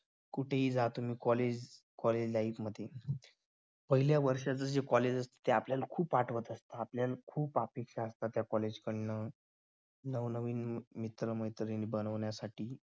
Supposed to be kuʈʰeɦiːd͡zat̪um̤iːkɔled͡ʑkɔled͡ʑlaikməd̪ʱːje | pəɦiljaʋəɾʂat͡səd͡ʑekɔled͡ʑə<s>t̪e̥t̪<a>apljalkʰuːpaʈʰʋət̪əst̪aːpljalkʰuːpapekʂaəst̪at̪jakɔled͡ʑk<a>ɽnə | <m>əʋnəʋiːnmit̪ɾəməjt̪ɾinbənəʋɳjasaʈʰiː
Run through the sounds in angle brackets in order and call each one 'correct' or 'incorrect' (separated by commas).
correct, incorrect, incorrect, incorrect